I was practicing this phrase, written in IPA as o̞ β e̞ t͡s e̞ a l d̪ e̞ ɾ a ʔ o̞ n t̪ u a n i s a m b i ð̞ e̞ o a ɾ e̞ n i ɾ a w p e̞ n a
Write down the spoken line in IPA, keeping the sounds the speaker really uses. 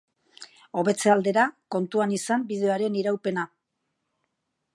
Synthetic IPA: o̞ β e̞ t͡s e̞ a l d̪ e̞ ɾ a k o̞ n t̪ u a n i s a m b i ð̞ e̞ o a ɾ e̞ n i ɾ a w p e̞ n a